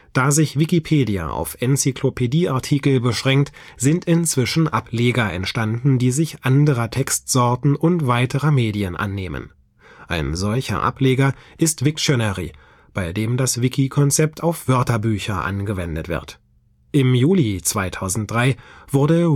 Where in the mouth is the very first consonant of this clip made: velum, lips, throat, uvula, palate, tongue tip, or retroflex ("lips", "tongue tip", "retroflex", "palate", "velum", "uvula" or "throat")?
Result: tongue tip